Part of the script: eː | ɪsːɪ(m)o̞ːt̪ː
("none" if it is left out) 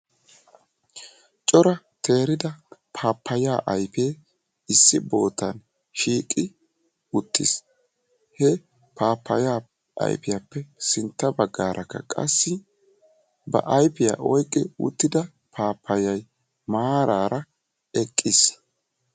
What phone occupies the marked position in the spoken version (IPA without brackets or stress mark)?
b